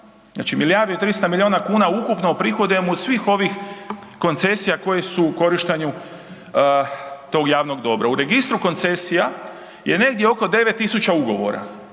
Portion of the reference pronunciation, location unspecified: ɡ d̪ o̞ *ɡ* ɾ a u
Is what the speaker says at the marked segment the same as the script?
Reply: no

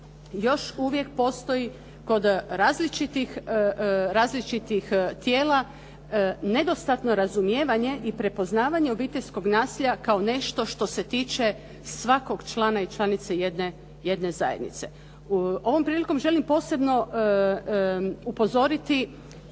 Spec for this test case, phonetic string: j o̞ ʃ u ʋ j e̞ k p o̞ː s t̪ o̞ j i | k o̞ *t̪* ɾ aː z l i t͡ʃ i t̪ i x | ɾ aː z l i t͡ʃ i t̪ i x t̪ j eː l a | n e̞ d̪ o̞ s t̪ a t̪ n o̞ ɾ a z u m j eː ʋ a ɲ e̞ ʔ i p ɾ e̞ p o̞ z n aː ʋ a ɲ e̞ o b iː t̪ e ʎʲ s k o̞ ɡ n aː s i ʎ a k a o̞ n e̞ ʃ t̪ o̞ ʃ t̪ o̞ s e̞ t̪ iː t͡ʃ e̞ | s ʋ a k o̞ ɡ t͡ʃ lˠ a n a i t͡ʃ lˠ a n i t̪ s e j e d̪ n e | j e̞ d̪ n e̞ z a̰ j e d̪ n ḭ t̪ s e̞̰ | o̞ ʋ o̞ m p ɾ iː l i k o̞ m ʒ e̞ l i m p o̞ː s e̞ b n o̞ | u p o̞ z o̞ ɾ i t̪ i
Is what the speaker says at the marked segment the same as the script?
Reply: no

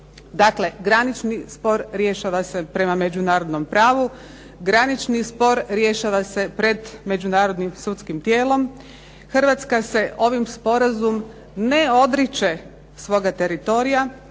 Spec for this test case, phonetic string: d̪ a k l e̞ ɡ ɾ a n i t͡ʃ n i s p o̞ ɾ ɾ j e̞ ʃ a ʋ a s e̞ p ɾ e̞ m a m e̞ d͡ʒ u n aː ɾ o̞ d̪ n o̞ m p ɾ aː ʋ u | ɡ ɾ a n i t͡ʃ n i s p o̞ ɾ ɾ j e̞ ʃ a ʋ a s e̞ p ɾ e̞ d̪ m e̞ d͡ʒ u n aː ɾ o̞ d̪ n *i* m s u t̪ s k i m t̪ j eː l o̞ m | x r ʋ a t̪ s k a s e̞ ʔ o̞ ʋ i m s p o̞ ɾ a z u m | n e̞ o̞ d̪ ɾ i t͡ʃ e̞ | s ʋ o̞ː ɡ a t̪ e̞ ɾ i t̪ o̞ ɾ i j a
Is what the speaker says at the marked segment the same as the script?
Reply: yes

